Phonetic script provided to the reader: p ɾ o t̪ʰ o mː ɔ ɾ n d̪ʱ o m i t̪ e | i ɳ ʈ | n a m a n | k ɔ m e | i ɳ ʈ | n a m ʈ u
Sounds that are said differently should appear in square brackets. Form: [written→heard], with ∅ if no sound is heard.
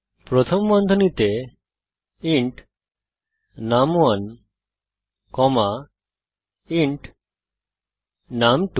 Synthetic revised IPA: p ɾ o t̪ʰ o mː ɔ [ɾ→∅] n d̪ʱ o [m→n] i t̪ e | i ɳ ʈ | n a m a n | k ɔ m [e→a] | i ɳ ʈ | n a m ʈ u

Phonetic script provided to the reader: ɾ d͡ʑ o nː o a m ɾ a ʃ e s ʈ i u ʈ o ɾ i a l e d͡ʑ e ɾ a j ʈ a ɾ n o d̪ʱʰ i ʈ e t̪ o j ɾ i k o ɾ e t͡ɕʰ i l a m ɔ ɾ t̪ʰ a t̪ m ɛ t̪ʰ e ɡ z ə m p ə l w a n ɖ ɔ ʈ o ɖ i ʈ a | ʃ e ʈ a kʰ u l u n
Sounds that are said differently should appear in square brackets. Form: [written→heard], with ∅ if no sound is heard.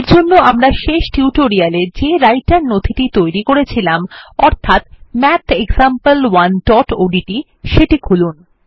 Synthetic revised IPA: ɾ d͡ʑ o nː o a m ɾ a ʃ e [s→ʃ] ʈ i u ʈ o ɾ i a l e d͡ʑ e ɾ a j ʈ a ɾ n o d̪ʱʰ i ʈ [e→i] t̪ o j ɾ i k o ɾ e t͡ɕʰ i l a m ɔ ɾ t̪ʰ a t̪ m ɛ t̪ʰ e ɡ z [ə→a] m p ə l w a n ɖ ɔ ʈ o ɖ i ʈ [a→i] | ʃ e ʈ [a→i] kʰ u l u n

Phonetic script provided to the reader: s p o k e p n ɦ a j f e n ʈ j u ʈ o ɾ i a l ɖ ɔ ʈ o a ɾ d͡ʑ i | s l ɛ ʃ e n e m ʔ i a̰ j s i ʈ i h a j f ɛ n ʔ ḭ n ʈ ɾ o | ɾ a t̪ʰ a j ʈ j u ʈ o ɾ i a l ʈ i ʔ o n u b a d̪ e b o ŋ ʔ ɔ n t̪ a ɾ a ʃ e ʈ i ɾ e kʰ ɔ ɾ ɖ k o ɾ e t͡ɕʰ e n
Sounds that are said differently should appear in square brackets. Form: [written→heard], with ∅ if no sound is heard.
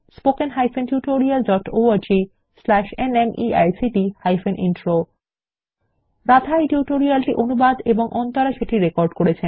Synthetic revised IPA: s p o k e [p→∅] n ɦ a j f e n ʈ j u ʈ o ɾ i a l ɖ ɔ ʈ o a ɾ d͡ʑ i | s l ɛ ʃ e n e m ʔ i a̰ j s i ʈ i h a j f [ɛ→e] n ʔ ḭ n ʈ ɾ o | ɾ a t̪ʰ a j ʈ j u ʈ o ɾ i a l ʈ i ʔ o n u b a d̪ e b o ŋ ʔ ɔ n t̪ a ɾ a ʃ e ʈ i ɾ e [kʰ→k] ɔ ɾ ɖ k o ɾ e t͡ɕʰ e n

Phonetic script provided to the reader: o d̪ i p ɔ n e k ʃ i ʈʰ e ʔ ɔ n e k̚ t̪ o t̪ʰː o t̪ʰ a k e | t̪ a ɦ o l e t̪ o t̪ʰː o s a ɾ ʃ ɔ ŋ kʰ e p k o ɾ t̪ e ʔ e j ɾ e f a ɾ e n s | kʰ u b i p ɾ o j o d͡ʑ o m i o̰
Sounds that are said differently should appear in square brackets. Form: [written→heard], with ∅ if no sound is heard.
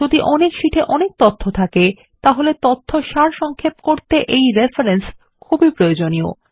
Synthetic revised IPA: o d̪ i [p→ʔ] ɔ n e k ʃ i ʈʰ e ʔ ɔ n e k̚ t̪ o t̪ʰː o t̪ʰ a k e | t̪ a ɦ o l e t̪ o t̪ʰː o [s→ʃ] a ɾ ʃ ɔ ŋ kʰ e p k o ɾ t̪ e ʔ e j ɾ e f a ɾ e n s | kʰ u b i p ɾ o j o d͡ʑ o [m→n] i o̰

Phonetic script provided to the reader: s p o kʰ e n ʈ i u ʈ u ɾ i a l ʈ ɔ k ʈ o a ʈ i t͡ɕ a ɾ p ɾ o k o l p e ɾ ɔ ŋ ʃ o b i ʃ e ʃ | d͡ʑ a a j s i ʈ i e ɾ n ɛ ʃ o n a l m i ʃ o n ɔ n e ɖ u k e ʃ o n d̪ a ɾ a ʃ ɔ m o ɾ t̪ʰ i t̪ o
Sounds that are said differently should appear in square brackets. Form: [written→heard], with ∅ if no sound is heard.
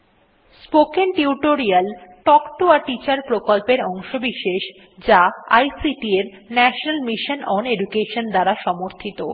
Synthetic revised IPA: s p o [kʰ→k] e n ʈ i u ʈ [u→o] ɾ i a l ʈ ɔ k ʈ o a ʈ i t͡ɕ a ɾ p ɾ o k o l p e ɾ ɔ ŋ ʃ o b i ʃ e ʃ | d͡ʑ a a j s i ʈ i e ɾ n ɛ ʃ o n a l m i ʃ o n ɔ n e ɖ u k e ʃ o n d̪ a ɾ a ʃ ɔ m o ɾ t̪ʰ i t̪ o

